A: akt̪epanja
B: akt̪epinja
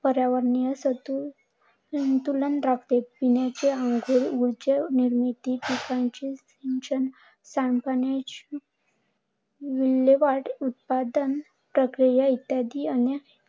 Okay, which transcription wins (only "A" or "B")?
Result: B